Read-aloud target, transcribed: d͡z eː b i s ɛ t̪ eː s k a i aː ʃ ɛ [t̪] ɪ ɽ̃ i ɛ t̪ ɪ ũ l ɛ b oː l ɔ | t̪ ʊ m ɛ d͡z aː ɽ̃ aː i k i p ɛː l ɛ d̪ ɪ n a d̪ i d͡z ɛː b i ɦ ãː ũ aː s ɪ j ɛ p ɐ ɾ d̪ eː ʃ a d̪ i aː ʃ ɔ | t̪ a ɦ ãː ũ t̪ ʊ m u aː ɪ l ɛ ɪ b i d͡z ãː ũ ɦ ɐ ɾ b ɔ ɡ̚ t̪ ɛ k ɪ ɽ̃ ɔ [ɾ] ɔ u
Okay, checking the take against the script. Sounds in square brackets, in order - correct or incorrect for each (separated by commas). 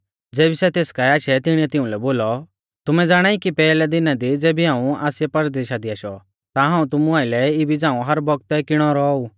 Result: correct, correct